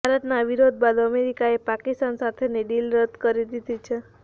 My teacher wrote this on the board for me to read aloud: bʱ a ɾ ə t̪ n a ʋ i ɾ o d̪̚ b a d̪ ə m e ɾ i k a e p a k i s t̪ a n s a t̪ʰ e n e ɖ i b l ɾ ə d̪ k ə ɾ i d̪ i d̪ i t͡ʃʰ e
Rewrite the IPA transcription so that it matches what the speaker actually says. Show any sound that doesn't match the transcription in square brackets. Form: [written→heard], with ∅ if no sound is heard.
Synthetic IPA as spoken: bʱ a ɾ ə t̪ n a ʋ i ɾ o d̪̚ b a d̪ ə m e ɾ i k a e p a k i s t̪ a n s a t̪ʰ e n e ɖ i [b→∅] l ɾ ə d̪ k ə ɾ i d̪ i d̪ i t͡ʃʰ e